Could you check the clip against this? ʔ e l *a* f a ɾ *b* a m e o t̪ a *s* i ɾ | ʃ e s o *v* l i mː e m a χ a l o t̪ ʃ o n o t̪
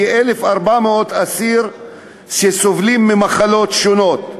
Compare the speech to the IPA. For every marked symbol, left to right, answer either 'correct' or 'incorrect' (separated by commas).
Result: incorrect, correct, correct, correct